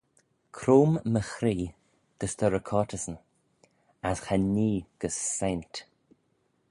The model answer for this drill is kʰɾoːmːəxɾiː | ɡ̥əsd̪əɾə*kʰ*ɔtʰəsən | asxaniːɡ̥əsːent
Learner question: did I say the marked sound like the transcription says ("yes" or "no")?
yes